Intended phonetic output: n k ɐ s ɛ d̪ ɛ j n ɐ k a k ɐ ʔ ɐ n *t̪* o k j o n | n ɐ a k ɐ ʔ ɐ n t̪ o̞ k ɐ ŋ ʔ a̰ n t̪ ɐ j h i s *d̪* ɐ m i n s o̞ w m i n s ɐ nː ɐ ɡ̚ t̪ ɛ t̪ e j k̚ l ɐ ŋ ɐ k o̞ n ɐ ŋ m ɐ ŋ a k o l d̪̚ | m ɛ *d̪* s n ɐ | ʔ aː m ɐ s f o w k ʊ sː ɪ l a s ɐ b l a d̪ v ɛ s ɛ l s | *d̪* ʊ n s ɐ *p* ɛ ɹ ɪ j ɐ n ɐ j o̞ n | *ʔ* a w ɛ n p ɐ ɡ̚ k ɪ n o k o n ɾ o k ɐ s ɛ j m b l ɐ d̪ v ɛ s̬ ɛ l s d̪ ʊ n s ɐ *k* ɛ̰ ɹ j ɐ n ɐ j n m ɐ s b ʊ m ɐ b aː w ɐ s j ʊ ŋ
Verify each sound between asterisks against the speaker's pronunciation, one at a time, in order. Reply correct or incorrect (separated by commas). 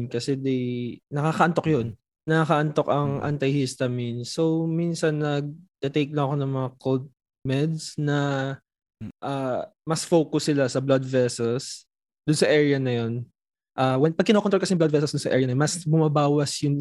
correct, incorrect, correct, correct, incorrect, correct, incorrect